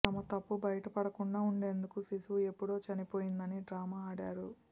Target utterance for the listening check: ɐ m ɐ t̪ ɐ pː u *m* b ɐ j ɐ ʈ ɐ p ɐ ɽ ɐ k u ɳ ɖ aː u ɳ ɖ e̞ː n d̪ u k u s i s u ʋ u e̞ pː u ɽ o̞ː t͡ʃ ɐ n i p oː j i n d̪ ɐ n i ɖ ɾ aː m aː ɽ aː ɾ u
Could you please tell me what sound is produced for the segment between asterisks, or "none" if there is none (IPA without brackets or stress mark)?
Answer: none